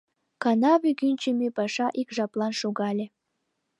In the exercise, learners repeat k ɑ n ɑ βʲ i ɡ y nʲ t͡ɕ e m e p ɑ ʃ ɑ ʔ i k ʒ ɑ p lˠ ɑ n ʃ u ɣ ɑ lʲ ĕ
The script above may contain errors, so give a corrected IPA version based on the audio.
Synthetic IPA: k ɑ n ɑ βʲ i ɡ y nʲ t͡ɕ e m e p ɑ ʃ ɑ ʔ i k ʒ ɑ p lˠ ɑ n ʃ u ɣ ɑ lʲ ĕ